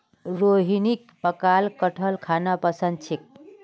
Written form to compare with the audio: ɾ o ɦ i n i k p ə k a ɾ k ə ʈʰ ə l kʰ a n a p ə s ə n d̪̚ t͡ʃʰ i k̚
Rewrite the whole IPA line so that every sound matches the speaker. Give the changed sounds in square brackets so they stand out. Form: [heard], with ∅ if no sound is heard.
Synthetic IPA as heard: ɾ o ɦ i n i k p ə k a [l] k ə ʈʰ ə l kʰ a n a p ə s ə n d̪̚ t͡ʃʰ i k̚